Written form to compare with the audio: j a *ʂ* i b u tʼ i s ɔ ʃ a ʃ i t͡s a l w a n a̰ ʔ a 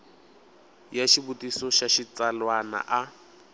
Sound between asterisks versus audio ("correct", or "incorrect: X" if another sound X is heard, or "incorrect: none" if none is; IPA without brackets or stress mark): incorrect: ʃ